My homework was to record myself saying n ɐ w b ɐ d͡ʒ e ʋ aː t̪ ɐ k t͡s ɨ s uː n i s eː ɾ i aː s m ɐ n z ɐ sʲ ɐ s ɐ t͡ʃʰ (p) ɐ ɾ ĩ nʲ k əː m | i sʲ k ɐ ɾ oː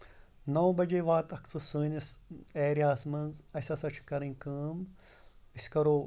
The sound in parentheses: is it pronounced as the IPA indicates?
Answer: no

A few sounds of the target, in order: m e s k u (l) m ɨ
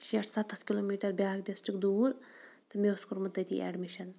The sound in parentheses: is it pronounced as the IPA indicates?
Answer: no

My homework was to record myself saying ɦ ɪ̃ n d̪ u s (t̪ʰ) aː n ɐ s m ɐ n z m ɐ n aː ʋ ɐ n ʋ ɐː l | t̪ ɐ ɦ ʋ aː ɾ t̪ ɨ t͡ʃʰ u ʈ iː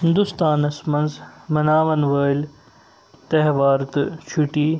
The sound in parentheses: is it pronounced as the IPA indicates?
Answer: no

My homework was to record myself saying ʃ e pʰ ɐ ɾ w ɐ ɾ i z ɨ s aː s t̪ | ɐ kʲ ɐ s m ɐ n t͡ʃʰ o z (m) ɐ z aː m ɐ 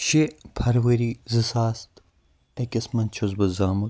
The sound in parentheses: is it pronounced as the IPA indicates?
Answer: no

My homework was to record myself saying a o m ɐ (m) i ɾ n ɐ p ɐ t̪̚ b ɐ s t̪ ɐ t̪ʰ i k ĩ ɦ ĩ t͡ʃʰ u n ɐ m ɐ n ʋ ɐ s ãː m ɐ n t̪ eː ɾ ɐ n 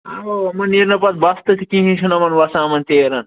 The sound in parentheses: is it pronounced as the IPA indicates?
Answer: no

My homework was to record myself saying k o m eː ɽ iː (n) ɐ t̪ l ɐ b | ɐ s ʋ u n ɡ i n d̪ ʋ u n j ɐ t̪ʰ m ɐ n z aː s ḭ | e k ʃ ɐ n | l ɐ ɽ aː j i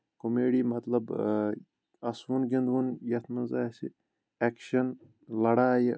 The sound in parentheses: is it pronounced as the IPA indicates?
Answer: no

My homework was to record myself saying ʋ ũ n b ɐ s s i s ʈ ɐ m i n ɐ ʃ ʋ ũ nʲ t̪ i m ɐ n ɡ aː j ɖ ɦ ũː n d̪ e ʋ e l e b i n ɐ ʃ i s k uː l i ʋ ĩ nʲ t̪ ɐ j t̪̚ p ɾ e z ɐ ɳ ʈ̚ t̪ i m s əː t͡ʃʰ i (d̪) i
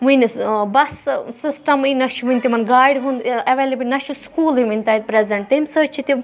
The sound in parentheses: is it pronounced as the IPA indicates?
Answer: no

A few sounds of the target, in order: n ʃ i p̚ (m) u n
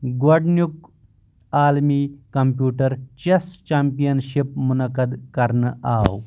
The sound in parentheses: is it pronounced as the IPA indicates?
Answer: yes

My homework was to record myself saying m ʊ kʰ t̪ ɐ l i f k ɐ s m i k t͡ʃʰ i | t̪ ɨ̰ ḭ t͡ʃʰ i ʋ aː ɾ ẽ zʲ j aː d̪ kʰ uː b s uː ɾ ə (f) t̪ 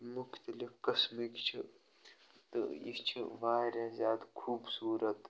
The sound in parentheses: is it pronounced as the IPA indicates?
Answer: no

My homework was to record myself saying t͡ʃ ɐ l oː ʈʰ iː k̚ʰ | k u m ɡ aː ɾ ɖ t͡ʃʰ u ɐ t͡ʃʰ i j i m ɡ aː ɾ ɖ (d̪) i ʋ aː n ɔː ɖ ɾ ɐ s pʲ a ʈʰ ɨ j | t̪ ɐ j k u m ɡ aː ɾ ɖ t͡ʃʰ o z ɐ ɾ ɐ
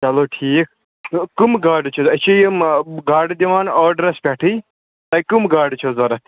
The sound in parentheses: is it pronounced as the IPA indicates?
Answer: yes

